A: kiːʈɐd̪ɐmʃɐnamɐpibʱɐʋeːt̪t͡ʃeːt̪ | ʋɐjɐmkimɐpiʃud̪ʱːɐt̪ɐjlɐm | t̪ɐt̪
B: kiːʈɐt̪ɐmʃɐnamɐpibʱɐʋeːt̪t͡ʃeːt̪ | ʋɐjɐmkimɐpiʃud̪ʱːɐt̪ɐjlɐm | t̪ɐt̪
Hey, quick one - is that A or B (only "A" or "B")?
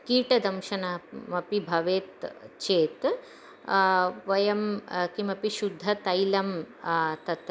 A